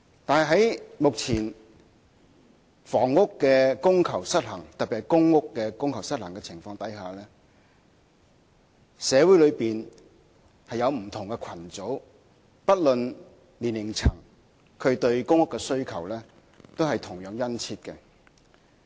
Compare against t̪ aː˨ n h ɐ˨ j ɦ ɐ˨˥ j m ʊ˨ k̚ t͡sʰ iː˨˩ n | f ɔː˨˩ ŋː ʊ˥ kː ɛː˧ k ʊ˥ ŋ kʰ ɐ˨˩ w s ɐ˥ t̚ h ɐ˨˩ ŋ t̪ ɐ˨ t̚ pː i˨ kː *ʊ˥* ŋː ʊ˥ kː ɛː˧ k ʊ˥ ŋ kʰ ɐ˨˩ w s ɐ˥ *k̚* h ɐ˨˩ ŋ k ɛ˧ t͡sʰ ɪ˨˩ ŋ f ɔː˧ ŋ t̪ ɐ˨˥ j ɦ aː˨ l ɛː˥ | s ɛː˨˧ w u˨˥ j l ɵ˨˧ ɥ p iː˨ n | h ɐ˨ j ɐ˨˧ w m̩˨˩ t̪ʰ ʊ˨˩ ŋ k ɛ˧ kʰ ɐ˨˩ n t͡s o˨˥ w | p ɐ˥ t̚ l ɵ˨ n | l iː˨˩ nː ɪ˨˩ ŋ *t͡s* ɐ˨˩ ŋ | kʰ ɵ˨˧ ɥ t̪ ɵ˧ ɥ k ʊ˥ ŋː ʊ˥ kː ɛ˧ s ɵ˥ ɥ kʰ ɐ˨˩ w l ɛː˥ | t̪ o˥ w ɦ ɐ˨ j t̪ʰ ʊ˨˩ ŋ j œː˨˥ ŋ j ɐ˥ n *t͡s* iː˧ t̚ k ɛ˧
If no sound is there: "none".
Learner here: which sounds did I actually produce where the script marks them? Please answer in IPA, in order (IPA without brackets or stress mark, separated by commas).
ʊ˥, t̚, t͡sʰ, t͡sʰ